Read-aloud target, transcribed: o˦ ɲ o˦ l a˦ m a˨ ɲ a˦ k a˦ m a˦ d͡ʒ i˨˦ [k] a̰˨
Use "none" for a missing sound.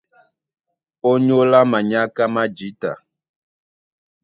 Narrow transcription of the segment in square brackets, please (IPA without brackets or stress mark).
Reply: t